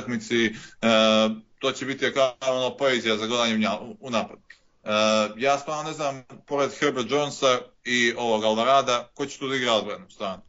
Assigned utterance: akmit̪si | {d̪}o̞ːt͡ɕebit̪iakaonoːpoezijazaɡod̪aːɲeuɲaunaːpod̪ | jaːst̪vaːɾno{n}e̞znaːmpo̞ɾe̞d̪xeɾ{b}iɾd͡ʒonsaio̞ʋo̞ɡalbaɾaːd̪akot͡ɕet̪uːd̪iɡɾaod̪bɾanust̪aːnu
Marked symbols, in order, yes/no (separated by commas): no, yes, yes